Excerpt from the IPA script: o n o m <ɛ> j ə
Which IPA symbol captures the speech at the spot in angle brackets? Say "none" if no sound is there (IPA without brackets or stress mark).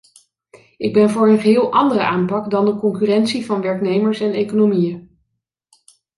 i